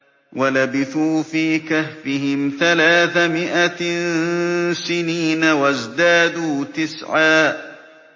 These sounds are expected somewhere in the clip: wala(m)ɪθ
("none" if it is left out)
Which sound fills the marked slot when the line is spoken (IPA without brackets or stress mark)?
b